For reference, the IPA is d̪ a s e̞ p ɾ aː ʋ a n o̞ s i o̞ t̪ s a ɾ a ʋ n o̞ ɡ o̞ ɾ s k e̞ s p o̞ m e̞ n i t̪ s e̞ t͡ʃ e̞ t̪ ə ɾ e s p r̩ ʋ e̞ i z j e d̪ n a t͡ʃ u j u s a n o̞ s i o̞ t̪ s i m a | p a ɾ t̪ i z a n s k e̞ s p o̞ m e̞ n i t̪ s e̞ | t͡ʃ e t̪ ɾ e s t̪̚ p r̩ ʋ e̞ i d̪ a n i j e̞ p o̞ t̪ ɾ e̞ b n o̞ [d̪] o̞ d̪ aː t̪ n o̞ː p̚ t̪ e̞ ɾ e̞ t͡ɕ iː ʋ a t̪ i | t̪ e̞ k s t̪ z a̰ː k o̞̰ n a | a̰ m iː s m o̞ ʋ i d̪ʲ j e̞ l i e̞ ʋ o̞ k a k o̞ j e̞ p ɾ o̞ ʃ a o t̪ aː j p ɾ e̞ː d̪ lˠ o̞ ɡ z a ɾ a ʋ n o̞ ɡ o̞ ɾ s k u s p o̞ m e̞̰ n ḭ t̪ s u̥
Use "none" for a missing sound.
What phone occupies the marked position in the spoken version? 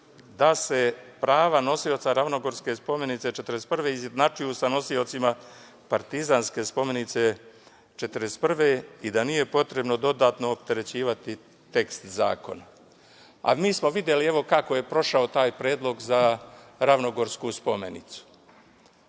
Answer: d̪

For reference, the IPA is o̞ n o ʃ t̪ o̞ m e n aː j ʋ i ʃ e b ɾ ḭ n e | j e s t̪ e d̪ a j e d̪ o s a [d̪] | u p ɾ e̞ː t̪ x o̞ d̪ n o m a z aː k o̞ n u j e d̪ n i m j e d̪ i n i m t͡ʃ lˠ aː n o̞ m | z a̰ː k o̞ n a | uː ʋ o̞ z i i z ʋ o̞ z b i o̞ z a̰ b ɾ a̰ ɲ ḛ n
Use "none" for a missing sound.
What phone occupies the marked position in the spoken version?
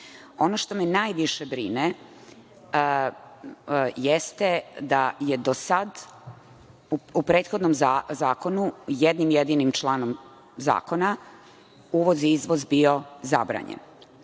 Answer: d̪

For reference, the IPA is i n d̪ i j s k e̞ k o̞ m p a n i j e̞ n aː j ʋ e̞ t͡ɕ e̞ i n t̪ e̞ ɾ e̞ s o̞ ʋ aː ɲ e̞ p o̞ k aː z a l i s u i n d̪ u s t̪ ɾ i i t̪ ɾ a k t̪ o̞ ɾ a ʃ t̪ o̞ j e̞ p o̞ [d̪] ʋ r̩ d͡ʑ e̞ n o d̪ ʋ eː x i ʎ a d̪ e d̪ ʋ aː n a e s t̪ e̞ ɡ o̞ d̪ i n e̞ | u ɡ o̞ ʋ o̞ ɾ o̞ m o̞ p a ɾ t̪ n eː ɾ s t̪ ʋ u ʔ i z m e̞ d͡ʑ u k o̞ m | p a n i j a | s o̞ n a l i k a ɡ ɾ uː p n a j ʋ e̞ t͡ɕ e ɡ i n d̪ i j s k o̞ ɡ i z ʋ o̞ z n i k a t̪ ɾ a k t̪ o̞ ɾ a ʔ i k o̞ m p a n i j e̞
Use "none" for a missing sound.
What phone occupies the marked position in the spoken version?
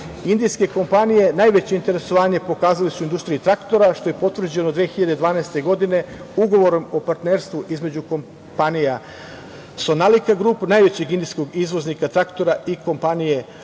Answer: t̪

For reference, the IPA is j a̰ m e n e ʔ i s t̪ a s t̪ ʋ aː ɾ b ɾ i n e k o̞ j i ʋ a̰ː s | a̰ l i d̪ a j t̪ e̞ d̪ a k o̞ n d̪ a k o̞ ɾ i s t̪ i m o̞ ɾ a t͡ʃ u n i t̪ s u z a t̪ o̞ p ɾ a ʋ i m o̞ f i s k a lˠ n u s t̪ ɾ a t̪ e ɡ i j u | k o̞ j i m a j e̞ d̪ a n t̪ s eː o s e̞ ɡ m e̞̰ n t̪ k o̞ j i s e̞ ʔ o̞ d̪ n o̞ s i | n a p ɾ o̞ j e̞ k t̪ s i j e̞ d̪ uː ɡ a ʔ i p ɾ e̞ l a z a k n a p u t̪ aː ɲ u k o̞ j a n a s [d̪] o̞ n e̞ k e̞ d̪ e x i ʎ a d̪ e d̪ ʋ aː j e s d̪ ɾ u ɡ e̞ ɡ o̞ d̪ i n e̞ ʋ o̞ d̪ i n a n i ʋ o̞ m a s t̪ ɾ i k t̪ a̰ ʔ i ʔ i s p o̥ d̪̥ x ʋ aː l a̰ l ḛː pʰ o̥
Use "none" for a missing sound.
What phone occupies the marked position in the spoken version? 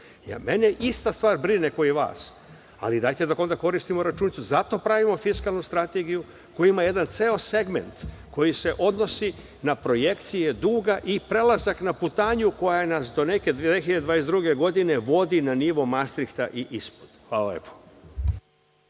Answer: d̪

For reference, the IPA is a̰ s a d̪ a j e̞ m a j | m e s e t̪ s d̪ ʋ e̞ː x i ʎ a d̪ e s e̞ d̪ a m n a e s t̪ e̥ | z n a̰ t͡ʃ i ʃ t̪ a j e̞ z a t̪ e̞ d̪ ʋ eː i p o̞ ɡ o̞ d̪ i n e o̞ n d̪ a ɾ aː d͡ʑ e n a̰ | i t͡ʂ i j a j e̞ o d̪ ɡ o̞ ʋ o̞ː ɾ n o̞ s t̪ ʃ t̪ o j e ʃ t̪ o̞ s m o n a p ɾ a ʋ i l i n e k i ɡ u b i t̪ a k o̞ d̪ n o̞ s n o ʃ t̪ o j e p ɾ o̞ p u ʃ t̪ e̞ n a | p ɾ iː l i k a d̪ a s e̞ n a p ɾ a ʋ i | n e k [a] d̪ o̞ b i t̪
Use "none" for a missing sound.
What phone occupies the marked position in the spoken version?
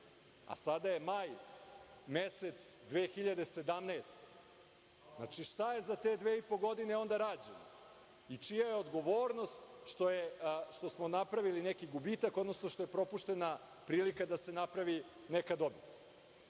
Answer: a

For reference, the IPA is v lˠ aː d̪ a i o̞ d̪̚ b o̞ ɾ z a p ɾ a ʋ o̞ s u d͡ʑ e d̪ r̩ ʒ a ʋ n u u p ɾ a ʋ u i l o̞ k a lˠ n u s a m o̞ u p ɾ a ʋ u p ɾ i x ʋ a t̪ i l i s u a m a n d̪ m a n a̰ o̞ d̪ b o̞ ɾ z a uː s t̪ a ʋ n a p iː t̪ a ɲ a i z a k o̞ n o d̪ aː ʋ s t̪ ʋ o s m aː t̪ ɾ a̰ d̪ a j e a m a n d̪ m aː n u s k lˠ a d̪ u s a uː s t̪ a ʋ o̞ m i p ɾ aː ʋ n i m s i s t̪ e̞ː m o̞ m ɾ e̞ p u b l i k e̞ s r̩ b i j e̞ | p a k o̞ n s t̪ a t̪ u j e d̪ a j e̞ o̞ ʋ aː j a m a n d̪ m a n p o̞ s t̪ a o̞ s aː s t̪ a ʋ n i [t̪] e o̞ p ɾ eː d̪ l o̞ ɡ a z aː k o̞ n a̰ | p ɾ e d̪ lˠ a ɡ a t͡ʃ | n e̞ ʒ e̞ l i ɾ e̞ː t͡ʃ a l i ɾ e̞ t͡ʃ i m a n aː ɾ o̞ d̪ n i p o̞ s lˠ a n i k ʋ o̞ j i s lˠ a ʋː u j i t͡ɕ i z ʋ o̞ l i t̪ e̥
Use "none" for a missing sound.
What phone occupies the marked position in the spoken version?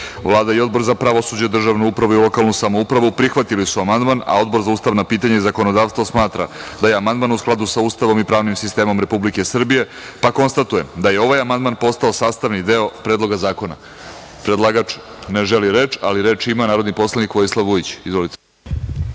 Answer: d̪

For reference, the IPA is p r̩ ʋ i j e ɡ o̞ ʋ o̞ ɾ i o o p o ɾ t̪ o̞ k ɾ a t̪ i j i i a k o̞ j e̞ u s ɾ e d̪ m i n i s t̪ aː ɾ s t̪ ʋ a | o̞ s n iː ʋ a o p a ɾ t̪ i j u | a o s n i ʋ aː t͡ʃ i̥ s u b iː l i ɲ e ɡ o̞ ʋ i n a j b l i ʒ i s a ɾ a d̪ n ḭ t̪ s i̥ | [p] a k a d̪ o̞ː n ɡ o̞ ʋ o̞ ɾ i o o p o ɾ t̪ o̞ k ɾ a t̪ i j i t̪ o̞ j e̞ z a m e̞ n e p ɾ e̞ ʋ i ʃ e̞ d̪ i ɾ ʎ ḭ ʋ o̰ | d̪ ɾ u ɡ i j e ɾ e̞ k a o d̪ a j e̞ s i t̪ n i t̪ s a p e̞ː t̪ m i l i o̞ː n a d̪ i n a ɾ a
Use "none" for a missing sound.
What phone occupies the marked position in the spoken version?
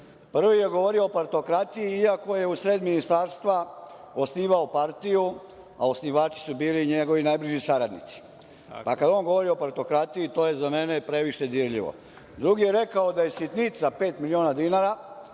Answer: p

